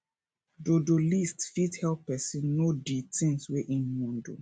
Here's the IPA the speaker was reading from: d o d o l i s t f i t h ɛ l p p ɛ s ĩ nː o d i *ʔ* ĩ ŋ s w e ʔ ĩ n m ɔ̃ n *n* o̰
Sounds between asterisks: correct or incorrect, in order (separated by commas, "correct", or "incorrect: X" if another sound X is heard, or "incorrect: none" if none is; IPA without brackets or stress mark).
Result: incorrect: t, incorrect: d